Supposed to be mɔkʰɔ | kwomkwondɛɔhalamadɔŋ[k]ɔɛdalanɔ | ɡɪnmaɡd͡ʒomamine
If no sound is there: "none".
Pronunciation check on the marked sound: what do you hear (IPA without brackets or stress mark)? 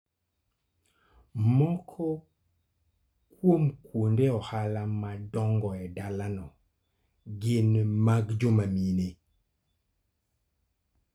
ɡ